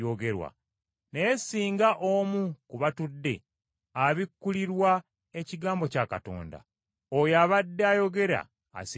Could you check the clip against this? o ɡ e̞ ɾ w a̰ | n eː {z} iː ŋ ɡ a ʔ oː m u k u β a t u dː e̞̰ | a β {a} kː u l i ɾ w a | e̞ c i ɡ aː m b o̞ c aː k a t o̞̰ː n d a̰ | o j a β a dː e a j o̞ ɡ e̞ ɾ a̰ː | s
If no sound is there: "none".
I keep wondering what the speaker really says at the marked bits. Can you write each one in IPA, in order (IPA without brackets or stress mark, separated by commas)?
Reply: s, i